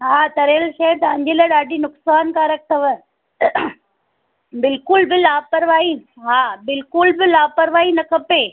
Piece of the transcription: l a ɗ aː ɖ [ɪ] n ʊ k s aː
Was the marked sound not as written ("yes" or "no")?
yes